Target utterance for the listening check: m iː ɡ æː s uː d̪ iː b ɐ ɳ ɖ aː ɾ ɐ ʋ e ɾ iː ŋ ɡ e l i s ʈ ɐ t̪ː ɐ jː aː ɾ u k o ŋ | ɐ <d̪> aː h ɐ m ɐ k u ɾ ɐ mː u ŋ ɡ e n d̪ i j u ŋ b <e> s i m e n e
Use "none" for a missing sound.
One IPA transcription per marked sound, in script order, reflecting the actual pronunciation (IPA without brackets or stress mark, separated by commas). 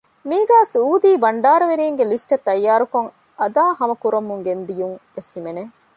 d̪, e